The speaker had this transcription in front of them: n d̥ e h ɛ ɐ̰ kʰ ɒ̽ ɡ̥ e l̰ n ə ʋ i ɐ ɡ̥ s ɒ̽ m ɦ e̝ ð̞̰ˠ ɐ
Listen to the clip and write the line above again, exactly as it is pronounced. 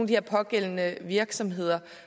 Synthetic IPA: n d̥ i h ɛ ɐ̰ pʰ ɒ̽ ɡ̥ e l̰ n ə ʋ i ɐ ɡ̥ s ɒ̽ m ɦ e̝ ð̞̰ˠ ɐ